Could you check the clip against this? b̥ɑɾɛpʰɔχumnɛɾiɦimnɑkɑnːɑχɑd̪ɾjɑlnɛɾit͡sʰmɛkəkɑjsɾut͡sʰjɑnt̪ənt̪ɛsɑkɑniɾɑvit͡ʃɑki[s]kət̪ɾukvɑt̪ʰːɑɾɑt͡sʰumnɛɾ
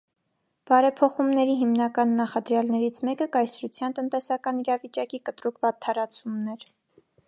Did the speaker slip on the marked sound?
yes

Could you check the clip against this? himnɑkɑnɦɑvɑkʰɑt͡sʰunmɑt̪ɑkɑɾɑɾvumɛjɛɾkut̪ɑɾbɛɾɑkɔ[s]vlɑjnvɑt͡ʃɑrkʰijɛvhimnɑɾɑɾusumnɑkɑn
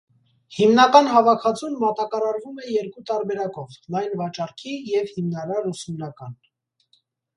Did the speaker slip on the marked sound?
yes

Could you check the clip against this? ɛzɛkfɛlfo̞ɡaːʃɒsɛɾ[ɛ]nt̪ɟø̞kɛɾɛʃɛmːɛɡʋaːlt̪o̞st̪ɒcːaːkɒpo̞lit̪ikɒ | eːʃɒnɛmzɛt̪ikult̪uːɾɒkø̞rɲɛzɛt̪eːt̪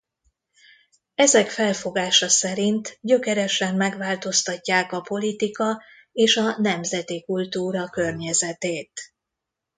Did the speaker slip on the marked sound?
yes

